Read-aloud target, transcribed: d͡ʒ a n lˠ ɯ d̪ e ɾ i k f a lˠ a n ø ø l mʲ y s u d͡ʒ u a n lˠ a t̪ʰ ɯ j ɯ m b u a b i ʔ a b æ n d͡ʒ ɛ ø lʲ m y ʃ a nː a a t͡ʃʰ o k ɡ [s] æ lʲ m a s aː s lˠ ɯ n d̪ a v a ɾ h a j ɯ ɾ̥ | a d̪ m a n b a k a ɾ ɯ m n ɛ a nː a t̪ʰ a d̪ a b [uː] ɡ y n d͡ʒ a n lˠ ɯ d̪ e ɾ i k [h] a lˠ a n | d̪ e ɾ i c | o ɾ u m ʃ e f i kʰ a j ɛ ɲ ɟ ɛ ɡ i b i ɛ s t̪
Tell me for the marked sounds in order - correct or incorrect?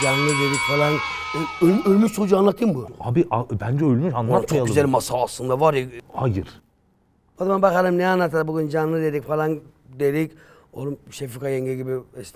incorrect, incorrect, incorrect

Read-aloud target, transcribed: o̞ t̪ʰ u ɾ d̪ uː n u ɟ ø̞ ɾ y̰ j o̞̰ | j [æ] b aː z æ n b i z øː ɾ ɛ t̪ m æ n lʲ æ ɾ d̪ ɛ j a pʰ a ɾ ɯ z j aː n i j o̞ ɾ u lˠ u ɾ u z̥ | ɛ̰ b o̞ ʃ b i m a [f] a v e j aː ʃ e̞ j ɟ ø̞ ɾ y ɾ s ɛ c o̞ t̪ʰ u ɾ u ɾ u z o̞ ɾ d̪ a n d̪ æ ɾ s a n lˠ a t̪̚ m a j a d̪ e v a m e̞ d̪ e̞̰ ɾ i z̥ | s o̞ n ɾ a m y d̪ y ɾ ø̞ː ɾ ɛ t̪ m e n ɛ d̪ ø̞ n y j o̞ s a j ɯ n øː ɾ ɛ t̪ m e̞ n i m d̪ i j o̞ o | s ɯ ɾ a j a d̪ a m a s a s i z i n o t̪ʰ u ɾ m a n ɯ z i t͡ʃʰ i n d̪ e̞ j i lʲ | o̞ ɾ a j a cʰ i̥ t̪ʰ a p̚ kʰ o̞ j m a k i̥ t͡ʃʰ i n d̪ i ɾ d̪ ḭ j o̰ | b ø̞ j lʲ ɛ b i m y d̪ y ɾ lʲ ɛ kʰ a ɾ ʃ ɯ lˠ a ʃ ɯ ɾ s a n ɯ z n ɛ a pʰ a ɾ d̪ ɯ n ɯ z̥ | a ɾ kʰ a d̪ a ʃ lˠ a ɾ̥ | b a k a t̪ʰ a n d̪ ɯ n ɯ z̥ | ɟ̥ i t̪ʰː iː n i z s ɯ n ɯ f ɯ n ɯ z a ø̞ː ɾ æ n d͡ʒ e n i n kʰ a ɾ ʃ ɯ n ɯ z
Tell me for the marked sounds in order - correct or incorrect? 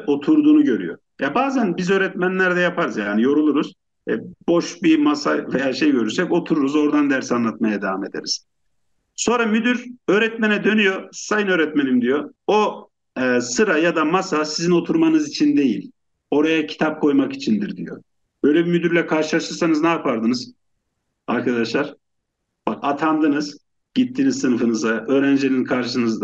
incorrect, incorrect

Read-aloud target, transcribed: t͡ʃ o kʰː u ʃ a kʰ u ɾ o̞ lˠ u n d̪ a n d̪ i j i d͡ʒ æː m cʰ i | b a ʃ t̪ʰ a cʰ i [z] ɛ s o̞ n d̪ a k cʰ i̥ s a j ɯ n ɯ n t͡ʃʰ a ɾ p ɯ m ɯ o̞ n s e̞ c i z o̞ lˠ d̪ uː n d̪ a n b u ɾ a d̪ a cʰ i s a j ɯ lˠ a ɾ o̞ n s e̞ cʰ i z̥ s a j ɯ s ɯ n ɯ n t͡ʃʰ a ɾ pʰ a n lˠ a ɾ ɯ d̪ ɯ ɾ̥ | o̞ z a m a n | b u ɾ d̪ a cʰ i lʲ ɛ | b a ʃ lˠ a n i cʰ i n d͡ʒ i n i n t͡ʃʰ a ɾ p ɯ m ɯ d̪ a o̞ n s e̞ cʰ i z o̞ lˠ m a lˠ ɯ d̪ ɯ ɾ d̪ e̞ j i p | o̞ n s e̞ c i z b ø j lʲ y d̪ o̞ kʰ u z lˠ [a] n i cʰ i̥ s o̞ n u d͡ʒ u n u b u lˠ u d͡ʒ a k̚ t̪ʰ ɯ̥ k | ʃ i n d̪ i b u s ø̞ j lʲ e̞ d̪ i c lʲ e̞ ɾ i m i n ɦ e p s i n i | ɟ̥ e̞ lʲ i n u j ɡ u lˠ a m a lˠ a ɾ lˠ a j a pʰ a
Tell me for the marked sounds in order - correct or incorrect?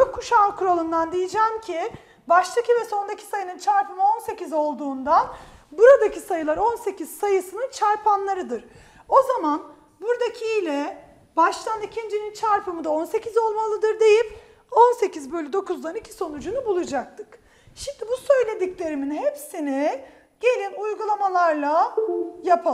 incorrect, correct

